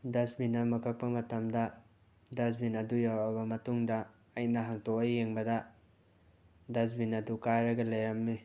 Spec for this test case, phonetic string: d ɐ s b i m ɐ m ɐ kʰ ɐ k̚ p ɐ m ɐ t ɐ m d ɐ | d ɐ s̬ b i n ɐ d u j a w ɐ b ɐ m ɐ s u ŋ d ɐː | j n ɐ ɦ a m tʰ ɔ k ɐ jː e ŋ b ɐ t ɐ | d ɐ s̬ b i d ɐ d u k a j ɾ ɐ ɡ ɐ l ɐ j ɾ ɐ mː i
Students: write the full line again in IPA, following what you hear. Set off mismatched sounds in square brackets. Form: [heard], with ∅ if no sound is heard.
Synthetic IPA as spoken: d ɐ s b i [n] ɐ m ɐ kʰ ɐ k̚ p ɐ m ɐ t ɐ m d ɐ | d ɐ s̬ b i n ɐ d u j a w ɐ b ɐ m ɐ [t] u ŋ d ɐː | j n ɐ ɦ a [ŋ] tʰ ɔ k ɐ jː e ŋ b ɐ [d] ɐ | d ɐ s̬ b i [n] ɐ d u k a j ɾ ɐ ɡ ɐ l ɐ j ɾ ɐ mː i

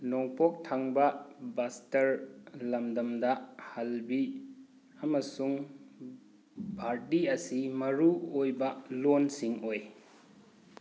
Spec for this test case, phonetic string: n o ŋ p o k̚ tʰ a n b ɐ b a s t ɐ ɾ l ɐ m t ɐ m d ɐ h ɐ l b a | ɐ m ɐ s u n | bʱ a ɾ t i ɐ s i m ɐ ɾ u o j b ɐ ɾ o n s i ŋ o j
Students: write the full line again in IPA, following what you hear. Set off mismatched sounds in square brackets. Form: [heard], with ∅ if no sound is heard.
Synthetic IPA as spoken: n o ŋ p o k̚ tʰ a [ŋ] b ɐ b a s t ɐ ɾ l ɐ m [d] ɐ m d ɐ h ɐ l b [i] | ɐ m ɐ s u [ŋ] | bʱ a ɾ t i ɐ s i m ɐ ɾ u o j b ɐ [l] o n s i ŋ o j

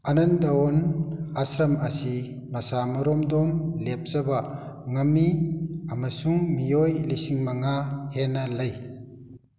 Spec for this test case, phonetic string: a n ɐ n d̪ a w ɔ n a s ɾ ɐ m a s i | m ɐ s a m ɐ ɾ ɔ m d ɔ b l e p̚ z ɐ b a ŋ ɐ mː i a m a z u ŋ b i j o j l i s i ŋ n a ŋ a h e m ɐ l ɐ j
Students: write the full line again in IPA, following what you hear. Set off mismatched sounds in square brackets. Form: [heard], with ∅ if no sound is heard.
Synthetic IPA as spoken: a n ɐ n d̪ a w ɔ n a s ɾ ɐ m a s i | m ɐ s a m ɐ ɾ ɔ m d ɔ [m] l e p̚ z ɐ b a ŋ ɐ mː i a m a [s] u ŋ [m] i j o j l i s i ŋ [m] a ŋ a h e [n] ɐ l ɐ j

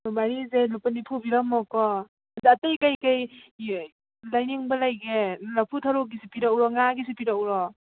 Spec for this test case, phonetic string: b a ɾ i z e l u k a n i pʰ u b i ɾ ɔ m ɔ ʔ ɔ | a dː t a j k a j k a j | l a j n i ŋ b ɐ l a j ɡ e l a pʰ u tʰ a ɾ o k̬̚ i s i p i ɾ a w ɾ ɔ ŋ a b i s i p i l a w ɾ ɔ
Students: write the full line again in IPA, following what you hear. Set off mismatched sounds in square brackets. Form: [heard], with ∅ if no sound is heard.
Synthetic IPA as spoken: b a ɾ i z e l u [p] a n i pʰ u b i ɾ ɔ m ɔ [k] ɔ | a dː t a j k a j k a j | l a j n i ŋ b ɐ l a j ɡ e l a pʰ u tʰ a ɾ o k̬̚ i s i p i ɾ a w ɾ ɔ ŋ a [ɡ] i s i p i [ɾ] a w ɾ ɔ

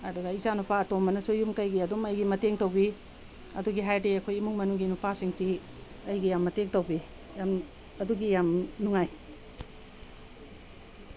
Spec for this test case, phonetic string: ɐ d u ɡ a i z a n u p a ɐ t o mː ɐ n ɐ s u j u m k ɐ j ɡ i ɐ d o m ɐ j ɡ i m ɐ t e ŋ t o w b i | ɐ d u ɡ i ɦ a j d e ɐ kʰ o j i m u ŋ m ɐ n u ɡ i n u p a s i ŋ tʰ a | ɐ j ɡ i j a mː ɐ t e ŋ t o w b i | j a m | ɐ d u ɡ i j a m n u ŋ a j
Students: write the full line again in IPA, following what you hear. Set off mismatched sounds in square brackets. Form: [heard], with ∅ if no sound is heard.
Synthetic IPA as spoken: ɐ d u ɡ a i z a n u p a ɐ t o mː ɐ n ɐ s u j u m k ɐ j ɡ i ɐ d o m ɐ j ɡ i m ɐ t e ŋ t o w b i | ɐ d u ɡ i ɦ a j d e ɐ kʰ o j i m u ŋ m ɐ n u ɡ i n u p a s i ŋ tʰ [i] | ɐ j ɡ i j a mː ɐ t e ŋ t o w b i | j a m | ɐ d u ɡ i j a m n u ŋ a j

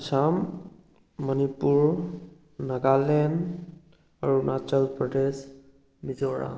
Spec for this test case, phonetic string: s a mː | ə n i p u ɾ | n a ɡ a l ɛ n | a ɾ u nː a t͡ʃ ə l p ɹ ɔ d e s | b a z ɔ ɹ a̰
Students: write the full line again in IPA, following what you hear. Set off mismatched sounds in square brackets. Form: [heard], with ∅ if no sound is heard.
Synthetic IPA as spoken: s a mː | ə n i p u [ɹ] | n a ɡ a l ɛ n | a [ɹ] u [n] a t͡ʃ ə l p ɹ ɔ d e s | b [i] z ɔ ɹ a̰

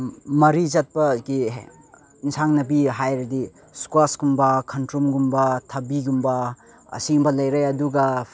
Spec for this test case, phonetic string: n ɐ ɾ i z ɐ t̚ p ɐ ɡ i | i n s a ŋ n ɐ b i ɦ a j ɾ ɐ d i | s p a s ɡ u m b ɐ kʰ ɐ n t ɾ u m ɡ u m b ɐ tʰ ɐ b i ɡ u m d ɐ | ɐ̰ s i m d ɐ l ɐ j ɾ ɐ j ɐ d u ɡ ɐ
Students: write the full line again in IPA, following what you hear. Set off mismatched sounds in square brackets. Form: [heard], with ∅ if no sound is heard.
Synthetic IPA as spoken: [m] ɐ ɾ i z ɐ t̚ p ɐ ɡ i | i n s a ŋ n ɐ b i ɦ a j ɾ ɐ d i | s [k] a s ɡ u m b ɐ kʰ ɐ n t ɾ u m ɡ u m b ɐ tʰ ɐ b i ɡ u m [b] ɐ | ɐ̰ s i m [b] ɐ l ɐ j ɾ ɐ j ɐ d u ɡ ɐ

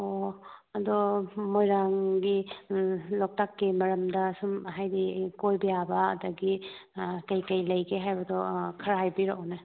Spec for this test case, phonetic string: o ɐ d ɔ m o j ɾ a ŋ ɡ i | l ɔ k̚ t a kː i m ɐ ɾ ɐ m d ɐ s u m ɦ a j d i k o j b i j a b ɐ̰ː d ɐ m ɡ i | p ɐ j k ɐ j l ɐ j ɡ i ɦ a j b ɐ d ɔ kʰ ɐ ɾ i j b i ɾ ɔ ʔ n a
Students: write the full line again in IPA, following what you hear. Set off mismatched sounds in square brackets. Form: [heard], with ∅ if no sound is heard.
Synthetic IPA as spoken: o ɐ d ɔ m o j ɾ a ŋ ɡ i | l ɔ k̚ t a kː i m ɐ ɾ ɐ m d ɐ s u m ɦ a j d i k o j b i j a b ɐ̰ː d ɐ [∅] ɡ i | [k] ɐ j k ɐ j l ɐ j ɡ [e] ɦ a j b ɐ d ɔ kʰ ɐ ɾ [a] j b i ɾ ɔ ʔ n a

